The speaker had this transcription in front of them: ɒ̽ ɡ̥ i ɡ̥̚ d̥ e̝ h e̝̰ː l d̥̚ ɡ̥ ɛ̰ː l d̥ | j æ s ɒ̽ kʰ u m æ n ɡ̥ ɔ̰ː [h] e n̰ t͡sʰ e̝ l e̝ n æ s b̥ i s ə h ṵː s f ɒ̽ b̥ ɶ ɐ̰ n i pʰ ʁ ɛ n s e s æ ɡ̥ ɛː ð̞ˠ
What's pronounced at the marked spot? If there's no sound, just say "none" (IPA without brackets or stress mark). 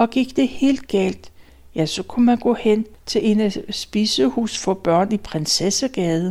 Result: h